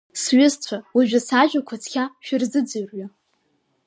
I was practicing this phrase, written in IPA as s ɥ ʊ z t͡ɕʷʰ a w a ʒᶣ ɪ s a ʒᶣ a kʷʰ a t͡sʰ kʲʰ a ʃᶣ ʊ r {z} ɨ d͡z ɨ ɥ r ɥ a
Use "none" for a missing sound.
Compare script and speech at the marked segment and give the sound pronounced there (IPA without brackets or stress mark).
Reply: z